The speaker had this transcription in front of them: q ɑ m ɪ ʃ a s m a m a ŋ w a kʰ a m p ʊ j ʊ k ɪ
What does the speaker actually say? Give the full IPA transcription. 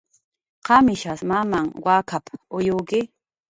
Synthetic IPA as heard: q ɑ m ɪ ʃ a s m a m a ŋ w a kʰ a p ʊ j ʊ k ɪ